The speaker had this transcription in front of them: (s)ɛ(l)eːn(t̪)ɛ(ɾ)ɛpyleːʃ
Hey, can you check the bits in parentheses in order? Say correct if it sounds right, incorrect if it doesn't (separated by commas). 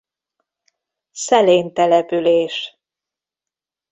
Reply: correct, correct, correct, incorrect